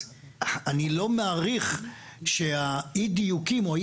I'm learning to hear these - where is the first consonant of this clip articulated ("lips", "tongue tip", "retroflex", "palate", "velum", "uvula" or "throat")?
tongue tip